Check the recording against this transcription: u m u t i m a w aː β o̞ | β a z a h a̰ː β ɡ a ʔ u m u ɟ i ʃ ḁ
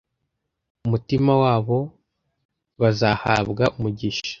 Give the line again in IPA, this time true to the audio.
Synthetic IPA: u m u t i m a w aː β o̞ | β a z a h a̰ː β ɡ a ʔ u m u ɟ i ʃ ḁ